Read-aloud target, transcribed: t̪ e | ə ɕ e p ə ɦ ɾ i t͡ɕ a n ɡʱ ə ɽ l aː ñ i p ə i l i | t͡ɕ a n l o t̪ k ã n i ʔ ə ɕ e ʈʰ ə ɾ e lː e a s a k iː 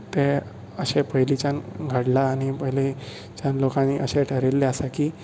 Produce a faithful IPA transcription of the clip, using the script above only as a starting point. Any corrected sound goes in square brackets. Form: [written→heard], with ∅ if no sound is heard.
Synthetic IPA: t̪ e | ə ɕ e p ə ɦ [ɾ→l] i t͡ɕ a n ɡʱ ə ɽ l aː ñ i p ə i l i | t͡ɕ a n l o [t̪→∅] k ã n i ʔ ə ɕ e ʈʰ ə ɾ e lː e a s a k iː

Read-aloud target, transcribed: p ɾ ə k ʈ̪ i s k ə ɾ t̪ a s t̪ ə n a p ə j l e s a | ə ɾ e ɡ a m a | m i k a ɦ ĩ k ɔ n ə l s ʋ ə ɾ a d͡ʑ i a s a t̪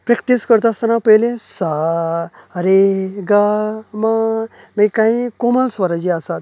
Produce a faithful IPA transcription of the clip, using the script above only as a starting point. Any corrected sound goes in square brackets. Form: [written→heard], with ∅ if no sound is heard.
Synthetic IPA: p ɾ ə k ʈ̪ i s k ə ɾ t̪ a s t̪ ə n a p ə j l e s a | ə ɾ e ɡ a m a | m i k a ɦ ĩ k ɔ [n→m] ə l s ʋ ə ɾ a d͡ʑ i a s a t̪

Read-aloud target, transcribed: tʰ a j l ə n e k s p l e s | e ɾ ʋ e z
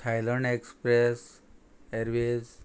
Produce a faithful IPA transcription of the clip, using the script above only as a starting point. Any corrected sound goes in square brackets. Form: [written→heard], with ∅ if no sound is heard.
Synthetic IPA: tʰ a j l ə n e k s p [l→ɾ] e s | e ɾ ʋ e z

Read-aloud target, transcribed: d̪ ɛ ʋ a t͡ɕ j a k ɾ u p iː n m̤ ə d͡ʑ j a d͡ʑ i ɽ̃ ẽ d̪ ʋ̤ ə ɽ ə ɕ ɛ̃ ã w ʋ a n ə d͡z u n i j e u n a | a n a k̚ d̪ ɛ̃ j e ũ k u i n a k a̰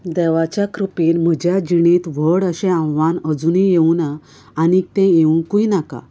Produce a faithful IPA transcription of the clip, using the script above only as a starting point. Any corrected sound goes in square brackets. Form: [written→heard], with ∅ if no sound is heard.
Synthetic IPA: d̪ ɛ ʋ a t͡ɕ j a k ɾ u p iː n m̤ ə d͡ʑ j a d͡ʑ i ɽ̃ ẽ [d̪→t̪] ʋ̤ ə ɽ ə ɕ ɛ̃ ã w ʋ a n ə d͡z u n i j e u n a | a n [a→i] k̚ [d̪→t̪] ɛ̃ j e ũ k u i n a k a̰

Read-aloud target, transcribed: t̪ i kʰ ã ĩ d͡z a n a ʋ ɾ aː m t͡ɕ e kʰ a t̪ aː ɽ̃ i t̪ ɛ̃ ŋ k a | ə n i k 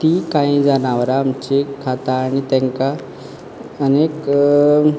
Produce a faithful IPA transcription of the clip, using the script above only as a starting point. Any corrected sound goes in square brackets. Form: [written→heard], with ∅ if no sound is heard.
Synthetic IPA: t̪ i [kʰ→k] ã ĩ d͡z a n a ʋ ɾ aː m t͡ɕ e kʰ a t̪ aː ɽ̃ i t̪ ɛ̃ ŋ k a | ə n [i→e] k

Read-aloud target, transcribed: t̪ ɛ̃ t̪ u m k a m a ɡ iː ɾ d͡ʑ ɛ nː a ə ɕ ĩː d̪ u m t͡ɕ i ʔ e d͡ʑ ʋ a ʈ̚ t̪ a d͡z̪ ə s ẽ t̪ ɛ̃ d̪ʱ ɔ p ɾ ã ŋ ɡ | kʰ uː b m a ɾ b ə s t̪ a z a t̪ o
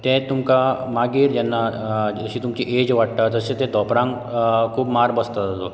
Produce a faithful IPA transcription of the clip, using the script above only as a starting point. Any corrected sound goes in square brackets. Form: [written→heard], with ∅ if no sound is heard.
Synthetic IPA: t̪ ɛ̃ t̪ u m k a m a ɡ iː ɾ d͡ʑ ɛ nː a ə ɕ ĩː [d̪→t̪] u m t͡ɕ i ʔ e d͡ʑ ʋ a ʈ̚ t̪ a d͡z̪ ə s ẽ t̪ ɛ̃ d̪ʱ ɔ p ɾ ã ŋ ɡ | kʰ uː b m a ɾ b ə s t̪ a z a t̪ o

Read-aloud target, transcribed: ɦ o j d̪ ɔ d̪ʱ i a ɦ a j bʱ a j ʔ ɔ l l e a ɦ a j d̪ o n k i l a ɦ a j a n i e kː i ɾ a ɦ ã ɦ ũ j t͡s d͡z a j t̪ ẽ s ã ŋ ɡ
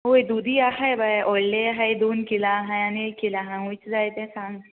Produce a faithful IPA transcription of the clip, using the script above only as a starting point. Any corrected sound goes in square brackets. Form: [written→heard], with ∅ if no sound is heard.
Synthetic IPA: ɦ o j d̪ [ɔ→u] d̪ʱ i a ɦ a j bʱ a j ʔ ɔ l l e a ɦ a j d̪ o n k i l a ɦ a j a n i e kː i [ɾ→l] a ɦ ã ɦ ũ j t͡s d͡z a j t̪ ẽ s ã ŋ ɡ

